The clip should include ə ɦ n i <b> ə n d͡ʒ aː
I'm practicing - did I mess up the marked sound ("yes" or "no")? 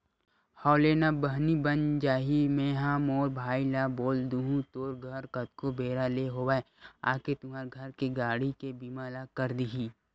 no